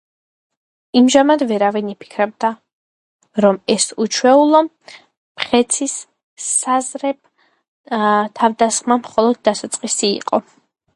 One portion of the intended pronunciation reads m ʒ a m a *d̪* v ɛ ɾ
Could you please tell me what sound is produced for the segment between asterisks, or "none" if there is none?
d̪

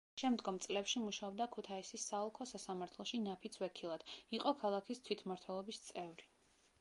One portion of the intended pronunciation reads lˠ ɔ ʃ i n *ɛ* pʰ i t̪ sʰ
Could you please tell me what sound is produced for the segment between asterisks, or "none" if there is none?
a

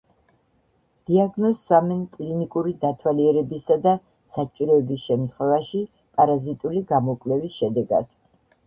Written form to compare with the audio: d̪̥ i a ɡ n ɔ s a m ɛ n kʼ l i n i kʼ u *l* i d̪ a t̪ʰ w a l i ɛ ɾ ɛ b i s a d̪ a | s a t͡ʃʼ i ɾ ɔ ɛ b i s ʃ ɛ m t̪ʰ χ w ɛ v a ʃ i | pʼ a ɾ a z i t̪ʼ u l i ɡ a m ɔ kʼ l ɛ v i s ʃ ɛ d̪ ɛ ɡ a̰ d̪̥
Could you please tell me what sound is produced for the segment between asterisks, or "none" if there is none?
ɾ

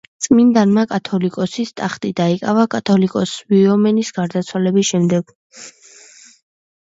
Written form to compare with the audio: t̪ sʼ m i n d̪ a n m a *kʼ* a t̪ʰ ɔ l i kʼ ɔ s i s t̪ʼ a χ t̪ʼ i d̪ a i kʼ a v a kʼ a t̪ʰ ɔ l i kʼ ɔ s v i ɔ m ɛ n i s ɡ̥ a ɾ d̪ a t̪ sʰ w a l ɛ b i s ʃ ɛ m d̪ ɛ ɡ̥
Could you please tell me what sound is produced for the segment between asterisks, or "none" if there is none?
kʼ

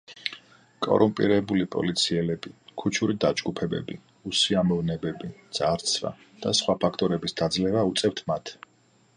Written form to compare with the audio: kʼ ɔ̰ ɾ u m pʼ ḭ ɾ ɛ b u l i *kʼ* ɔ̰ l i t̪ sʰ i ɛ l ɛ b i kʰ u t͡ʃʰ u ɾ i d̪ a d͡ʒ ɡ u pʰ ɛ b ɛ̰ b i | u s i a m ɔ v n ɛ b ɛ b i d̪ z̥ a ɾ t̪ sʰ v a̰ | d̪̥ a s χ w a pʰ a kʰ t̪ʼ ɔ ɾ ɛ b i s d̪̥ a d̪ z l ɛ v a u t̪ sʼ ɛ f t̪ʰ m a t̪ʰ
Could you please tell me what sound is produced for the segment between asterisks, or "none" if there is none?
pʼ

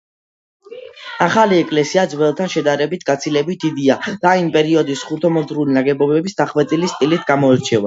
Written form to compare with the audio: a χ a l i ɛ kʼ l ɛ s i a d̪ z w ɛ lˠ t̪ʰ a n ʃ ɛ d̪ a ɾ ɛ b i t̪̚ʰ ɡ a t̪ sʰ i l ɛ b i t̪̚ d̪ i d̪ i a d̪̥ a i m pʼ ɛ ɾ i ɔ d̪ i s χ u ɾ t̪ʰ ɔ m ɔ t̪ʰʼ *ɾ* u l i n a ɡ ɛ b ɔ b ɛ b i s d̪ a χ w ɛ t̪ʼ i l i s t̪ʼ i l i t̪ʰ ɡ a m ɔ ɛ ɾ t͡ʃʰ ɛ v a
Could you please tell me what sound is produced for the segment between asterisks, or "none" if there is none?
ɾ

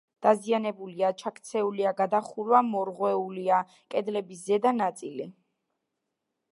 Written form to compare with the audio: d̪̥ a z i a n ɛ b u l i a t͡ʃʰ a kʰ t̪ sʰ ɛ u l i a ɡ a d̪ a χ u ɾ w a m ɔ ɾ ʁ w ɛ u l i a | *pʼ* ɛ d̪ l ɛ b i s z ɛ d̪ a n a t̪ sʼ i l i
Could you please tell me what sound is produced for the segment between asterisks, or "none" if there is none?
kʼ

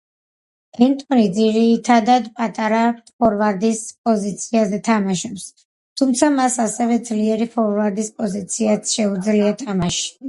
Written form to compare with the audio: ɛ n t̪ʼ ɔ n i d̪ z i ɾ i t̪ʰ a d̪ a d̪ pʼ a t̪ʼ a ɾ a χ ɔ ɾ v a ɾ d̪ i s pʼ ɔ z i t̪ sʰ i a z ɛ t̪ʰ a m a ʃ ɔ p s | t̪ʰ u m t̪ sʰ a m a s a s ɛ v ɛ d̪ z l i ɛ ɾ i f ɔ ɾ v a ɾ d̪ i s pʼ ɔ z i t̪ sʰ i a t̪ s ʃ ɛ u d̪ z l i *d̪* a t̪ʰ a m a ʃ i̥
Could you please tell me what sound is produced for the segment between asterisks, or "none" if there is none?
none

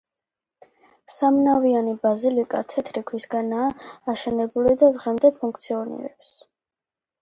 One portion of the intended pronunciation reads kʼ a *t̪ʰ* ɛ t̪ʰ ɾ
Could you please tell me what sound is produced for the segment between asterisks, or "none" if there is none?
t̪ʰ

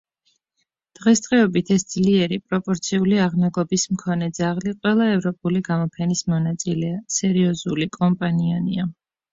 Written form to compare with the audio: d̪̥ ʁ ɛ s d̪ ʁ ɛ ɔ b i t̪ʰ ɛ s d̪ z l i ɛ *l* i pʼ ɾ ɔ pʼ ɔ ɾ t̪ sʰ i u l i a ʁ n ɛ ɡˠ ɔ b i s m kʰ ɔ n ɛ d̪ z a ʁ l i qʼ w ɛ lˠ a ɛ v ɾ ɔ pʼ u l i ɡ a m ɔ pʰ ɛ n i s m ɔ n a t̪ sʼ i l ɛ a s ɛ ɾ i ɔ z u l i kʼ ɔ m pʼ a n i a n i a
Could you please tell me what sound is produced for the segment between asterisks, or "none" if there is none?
ɾ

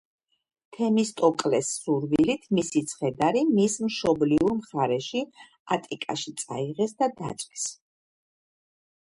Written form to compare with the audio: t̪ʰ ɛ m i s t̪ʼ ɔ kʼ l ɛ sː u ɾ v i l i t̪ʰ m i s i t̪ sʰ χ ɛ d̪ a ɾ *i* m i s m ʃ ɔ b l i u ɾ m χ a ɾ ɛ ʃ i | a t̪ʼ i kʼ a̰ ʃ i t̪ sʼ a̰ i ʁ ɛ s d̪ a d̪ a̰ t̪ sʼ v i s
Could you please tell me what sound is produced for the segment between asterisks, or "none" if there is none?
i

